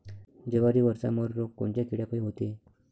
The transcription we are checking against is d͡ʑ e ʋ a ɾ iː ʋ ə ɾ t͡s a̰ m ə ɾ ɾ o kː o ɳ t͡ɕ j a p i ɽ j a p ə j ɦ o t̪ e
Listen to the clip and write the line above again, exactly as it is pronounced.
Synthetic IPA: d͡ʑ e ʋ a ɾ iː ʋ ə ɾ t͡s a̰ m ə ɾ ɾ o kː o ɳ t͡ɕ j a k i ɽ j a p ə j ɦ o t̪ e